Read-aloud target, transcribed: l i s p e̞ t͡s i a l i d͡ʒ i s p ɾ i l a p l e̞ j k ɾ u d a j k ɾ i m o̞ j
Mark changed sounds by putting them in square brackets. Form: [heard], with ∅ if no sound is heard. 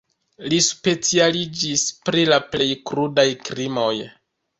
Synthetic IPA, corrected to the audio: l i s p e̞ t͡s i a l i d͡ʒ i s p ɾ i l a p l e̞ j k ɾ u d a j k ɾ i m o̞ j